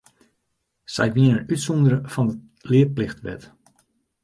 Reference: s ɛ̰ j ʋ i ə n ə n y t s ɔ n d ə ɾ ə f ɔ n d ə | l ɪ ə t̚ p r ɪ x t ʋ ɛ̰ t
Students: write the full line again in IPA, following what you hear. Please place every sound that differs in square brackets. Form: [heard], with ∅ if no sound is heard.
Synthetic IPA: s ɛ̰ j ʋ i ə n ə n y t s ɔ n d ə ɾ ə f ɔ n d ə | l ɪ ə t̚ p [l] ɪ x t ʋ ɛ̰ t